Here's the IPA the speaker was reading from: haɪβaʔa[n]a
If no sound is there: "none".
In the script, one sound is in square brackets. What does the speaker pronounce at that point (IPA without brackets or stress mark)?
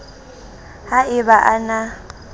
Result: n